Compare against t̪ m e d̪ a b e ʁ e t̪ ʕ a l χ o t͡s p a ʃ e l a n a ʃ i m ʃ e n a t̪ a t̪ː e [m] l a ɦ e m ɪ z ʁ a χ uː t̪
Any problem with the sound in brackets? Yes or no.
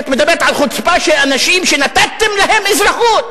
no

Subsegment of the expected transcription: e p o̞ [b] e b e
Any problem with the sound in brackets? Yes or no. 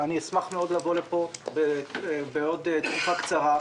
no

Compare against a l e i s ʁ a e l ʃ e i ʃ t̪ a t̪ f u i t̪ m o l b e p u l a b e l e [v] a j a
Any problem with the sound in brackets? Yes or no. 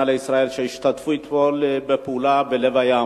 no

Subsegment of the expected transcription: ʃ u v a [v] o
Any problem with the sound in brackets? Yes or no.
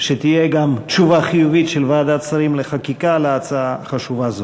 yes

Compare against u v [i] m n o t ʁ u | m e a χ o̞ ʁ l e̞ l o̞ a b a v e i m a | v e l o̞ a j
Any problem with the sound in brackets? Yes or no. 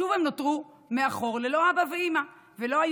yes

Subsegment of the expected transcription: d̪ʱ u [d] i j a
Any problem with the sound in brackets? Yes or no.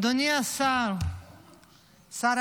yes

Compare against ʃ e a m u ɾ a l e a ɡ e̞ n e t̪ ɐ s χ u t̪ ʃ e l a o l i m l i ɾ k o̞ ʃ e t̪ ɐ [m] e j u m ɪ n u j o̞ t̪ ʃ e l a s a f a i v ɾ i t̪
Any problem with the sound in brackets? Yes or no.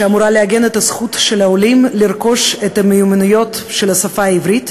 no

